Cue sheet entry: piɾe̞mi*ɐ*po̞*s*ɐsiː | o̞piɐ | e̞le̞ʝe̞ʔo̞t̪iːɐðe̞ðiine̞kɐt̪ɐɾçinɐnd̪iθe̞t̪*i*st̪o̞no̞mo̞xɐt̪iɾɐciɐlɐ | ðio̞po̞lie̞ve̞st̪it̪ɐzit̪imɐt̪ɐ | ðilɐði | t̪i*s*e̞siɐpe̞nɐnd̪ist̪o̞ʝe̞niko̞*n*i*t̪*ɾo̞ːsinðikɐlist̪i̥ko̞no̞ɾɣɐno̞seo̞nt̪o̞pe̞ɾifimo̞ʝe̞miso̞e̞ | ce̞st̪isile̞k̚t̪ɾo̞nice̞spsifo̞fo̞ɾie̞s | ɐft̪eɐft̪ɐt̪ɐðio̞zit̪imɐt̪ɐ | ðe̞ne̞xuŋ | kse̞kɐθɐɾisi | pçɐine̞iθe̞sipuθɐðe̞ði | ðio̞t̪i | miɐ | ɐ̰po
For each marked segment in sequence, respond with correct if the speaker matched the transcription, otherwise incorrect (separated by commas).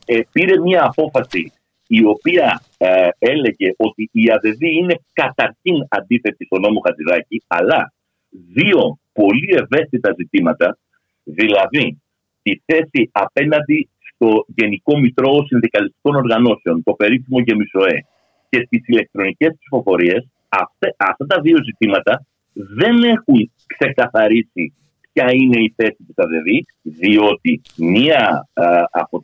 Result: incorrect, incorrect, correct, incorrect, incorrect, correct